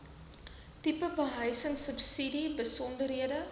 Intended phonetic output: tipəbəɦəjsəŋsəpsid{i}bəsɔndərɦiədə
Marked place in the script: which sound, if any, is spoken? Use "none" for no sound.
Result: i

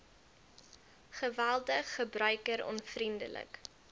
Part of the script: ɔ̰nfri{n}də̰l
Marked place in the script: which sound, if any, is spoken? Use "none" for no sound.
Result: n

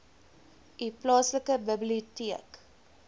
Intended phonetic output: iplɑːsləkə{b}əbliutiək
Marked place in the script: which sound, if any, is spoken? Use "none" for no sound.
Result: b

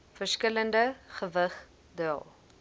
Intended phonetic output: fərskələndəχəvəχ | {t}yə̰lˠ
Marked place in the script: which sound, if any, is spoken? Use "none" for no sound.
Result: d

